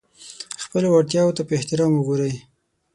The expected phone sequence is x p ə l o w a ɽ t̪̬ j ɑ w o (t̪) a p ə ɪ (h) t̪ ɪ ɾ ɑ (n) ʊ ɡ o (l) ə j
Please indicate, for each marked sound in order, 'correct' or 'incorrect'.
correct, correct, incorrect: m, incorrect: ɾ

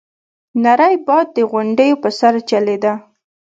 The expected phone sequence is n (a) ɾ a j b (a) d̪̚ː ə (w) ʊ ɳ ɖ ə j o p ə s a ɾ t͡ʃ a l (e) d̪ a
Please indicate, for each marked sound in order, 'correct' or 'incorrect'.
correct, incorrect: ɑ, incorrect: ɣ, correct

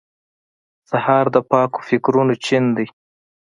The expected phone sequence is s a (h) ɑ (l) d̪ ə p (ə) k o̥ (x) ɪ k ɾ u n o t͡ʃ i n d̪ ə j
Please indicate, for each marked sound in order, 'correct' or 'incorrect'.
correct, incorrect: ɾ, incorrect: ɑ, incorrect: f

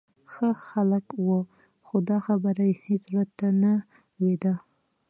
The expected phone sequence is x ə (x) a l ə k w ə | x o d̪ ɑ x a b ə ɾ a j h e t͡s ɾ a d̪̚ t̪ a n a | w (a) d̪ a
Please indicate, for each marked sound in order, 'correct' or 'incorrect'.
correct, incorrect: e

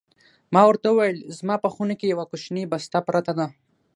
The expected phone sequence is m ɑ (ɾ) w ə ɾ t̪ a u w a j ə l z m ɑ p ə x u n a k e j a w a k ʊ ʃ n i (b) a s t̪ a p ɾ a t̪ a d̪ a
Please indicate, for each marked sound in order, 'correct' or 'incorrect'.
incorrect: none, correct

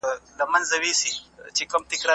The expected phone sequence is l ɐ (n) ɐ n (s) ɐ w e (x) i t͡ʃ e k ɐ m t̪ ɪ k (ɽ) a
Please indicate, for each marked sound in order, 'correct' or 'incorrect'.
incorrect: m, incorrect: z, incorrect: s, incorrect: ɾ

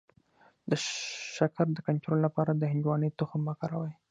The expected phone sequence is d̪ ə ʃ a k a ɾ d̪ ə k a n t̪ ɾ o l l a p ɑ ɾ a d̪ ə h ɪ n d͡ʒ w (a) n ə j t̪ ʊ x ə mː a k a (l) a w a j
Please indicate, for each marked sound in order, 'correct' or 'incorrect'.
incorrect: ɑ, incorrect: ɾ

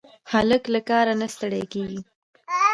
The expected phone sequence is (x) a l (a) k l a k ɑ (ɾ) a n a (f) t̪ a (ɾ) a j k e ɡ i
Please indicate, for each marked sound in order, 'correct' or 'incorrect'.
incorrect: h, incorrect: ə, correct, incorrect: s, incorrect: ɽ

